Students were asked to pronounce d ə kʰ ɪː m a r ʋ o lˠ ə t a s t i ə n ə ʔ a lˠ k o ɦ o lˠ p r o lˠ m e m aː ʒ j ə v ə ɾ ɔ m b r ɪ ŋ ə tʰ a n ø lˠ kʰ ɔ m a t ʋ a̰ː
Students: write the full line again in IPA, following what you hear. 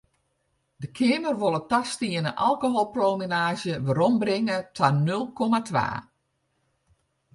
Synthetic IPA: d ə kʰ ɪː m ə r ʋ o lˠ ə t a s t i ə n ə ʔ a lˠ k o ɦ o lˠ p r o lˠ m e n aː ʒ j ə ʋ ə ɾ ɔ m b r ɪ ŋ ə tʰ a n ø lˠ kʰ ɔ m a t ʋ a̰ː